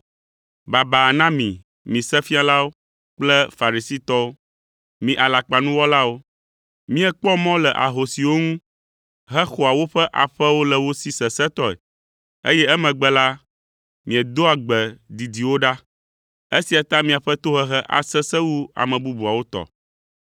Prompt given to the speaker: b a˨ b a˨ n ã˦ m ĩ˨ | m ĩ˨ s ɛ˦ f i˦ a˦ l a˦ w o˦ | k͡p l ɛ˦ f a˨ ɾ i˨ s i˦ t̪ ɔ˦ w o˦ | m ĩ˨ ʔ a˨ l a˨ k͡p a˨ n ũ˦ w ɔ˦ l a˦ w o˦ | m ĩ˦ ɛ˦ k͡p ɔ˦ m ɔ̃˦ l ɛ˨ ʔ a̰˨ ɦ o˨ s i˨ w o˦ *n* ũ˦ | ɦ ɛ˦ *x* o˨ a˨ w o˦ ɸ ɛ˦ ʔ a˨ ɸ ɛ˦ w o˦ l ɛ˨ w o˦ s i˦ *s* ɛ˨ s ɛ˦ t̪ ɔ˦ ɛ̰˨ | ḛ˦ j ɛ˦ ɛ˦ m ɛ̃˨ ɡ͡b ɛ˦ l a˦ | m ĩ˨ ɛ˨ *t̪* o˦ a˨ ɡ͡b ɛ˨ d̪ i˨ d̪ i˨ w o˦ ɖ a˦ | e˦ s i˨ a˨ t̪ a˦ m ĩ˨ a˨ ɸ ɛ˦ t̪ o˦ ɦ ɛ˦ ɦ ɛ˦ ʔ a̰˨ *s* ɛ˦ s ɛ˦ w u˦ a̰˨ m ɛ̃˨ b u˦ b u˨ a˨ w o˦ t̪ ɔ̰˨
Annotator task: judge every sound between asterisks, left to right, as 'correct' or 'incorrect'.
incorrect: ŋ, correct, correct, incorrect: d̪, correct

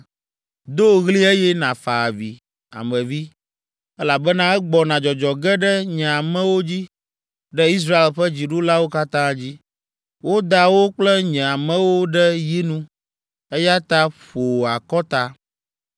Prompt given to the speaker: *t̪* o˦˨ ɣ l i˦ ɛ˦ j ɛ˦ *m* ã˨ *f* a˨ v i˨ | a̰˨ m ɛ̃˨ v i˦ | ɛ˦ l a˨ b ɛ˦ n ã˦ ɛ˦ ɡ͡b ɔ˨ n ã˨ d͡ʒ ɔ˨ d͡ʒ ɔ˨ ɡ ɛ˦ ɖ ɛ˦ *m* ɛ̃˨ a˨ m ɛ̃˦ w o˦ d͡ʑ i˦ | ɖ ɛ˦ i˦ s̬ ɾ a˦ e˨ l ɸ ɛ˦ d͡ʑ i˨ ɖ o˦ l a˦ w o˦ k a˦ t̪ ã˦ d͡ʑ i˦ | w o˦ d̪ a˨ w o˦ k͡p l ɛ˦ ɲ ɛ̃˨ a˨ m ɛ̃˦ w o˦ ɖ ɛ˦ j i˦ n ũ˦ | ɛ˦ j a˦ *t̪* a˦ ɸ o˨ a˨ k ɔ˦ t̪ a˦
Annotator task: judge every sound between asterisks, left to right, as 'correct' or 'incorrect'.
incorrect: d̪, incorrect: n, correct, incorrect: ɲ, correct

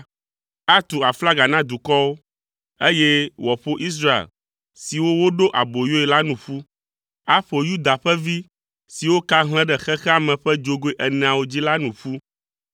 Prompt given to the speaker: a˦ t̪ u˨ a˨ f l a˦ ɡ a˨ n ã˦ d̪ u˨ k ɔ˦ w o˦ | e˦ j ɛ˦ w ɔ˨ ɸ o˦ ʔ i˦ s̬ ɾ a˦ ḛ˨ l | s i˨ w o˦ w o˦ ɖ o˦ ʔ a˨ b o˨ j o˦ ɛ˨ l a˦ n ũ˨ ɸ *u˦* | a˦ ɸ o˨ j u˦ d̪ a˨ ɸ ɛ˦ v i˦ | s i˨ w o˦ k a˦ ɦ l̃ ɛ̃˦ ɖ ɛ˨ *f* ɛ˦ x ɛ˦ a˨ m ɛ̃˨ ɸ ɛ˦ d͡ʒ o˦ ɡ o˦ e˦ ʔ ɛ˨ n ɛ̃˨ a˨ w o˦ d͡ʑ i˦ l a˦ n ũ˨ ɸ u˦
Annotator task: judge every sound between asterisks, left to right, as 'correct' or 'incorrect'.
correct, incorrect: x

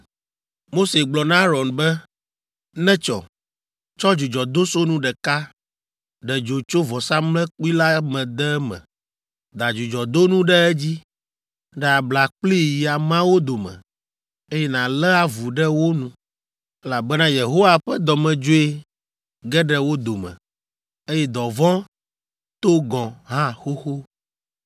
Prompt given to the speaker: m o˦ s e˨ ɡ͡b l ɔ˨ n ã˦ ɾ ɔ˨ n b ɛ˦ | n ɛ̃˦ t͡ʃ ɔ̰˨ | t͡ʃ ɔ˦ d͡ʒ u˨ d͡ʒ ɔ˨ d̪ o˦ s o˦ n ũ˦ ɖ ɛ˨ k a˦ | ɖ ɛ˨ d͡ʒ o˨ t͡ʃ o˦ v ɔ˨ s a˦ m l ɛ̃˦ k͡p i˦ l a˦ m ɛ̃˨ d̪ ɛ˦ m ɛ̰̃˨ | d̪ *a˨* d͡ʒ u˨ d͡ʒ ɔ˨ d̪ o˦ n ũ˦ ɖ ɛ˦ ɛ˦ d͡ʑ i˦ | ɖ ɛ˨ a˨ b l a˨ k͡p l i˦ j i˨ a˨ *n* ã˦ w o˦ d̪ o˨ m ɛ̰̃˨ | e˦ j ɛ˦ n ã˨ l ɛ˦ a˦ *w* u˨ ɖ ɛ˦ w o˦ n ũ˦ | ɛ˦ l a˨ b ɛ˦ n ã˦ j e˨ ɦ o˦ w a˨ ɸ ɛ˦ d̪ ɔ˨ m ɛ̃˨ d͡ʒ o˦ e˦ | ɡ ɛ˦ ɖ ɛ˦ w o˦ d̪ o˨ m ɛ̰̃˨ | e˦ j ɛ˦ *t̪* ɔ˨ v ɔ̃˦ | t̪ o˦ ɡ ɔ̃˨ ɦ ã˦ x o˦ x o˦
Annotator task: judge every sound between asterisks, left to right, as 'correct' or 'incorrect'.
correct, incorrect: m, incorrect: v, incorrect: d̪

